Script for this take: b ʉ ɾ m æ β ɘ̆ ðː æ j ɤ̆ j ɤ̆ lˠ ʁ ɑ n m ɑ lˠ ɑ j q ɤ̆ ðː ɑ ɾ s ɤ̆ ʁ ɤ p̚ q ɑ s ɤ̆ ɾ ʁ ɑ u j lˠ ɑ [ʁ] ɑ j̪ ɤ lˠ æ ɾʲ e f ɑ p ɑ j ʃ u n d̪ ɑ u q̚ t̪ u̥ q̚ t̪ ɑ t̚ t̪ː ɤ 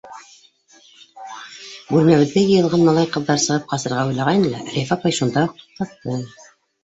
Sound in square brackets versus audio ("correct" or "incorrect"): correct